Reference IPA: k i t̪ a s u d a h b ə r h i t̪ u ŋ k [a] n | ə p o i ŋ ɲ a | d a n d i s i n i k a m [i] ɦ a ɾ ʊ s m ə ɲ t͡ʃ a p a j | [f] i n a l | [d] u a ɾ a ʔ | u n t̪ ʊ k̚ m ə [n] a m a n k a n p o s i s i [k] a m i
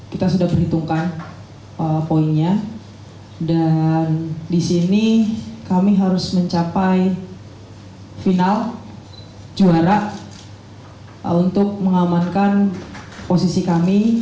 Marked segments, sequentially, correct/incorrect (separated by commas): correct, correct, correct, incorrect, incorrect, correct